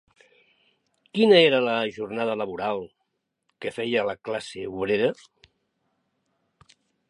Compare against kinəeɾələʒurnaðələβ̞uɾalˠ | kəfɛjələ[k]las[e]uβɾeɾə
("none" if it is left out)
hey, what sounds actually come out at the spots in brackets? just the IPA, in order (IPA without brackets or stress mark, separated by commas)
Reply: k, e